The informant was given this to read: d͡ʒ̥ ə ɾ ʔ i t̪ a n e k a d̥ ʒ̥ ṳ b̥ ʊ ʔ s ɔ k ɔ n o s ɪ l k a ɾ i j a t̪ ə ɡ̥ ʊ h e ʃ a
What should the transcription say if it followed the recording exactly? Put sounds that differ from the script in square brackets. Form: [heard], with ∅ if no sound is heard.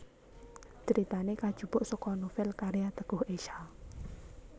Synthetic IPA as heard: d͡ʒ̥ ə ɾ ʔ i t̪ a n e k a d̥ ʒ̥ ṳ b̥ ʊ ʔ s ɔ k ɔ n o [f] ɪ l k a ɾ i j a t̪ ə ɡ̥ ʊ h e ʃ a